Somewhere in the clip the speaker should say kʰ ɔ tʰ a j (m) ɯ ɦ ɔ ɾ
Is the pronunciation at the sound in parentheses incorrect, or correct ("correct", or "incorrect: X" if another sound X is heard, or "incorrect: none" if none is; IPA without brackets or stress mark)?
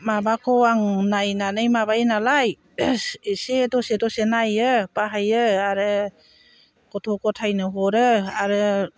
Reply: incorrect: n